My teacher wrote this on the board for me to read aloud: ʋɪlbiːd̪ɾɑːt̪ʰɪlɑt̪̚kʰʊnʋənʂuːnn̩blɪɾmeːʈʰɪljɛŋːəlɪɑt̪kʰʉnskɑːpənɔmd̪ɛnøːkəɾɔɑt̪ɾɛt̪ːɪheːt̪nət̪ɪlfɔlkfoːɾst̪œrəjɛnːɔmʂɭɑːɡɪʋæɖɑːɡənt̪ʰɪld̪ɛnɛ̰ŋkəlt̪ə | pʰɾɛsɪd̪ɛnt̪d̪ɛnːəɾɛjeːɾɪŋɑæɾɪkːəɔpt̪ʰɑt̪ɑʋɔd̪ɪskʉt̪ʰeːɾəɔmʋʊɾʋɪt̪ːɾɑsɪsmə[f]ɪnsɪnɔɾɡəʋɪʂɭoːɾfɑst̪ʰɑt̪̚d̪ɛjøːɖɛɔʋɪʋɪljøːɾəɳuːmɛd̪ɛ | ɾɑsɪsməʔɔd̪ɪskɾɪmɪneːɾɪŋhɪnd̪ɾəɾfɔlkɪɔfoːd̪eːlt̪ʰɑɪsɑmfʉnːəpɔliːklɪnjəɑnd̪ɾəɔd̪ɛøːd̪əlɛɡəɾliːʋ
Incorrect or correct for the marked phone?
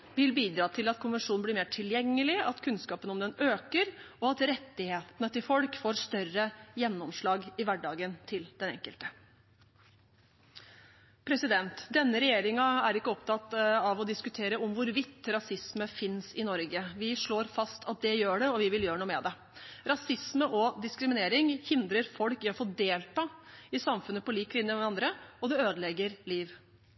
correct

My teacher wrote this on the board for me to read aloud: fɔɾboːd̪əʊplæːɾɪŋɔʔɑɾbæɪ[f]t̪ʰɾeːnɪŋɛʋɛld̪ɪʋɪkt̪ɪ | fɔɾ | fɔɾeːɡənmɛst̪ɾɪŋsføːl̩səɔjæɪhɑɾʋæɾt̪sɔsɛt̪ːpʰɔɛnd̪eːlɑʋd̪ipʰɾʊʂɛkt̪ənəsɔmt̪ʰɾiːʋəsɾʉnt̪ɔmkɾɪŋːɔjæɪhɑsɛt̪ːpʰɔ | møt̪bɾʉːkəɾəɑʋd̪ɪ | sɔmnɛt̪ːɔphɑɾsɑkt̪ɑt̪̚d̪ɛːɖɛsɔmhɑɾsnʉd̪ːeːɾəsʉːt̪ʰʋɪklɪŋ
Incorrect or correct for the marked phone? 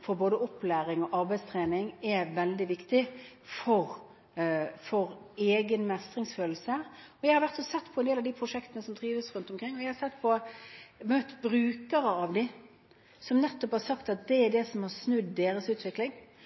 incorrect: s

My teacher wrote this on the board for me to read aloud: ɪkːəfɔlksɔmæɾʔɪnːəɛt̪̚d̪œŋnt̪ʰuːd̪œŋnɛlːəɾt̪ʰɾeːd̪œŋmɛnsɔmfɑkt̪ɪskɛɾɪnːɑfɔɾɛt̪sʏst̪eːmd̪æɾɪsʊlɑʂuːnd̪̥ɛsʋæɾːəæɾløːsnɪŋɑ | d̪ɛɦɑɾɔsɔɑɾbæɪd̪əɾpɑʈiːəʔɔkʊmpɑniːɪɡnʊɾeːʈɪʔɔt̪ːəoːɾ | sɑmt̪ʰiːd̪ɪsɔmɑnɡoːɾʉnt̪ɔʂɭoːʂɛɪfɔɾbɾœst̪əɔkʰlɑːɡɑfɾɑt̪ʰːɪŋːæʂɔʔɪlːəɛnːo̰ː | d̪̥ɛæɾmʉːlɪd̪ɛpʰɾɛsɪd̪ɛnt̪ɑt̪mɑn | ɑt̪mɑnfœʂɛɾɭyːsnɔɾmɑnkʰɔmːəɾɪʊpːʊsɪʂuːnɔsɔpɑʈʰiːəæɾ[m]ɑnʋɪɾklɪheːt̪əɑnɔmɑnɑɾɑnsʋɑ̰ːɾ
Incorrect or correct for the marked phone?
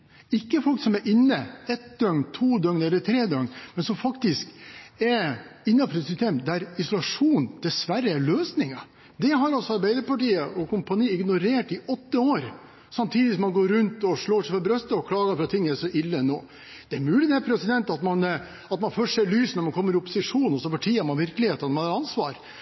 correct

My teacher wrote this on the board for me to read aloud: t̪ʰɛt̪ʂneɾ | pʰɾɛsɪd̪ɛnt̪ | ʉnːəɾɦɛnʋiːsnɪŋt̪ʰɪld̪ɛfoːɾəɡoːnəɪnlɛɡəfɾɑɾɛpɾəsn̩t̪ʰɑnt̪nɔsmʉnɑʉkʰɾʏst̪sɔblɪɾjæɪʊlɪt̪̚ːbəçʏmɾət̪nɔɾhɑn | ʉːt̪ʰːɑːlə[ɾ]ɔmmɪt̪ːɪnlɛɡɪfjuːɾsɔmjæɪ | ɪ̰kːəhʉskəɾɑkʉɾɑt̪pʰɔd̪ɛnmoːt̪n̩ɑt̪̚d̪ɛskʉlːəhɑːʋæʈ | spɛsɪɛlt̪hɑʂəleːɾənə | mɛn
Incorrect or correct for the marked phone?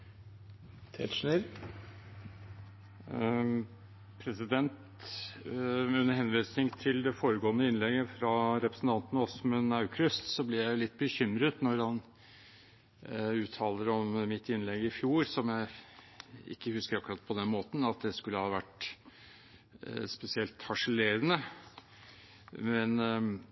correct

